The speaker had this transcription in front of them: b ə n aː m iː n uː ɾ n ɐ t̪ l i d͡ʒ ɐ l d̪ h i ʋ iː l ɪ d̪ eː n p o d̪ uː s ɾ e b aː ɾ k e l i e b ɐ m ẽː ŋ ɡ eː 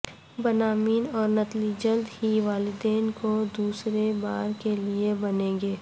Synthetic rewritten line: b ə n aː m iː n ɔː ɾ n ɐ t̪ l i d͡ʒ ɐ l d̪ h i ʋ aː l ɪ d̪ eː n k o d̪ uː s ɾ e b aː ɾ k e l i e b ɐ n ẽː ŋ ɡ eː